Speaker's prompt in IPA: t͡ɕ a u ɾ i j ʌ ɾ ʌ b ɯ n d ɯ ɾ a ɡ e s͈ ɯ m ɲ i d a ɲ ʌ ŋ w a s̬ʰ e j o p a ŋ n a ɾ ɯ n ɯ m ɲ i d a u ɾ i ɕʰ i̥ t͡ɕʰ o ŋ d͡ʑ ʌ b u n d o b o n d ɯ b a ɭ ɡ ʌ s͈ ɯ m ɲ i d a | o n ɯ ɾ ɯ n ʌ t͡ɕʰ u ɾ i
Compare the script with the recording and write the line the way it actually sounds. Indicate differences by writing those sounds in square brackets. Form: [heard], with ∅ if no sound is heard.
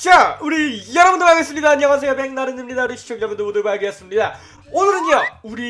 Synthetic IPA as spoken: t͡ɕ a u ɾ i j ʌ ɾ ʌ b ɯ n d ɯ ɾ a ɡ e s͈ ɯ m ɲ i d a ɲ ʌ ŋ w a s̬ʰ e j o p [e] ŋ n a ɾ ɯ n ɯ m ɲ i d a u ɾ i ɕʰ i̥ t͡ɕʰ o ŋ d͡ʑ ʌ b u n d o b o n d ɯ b a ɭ ɡ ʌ s͈ ɯ m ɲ i d a | o n ɯ ɾ ɯ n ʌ [∅] u ɾ i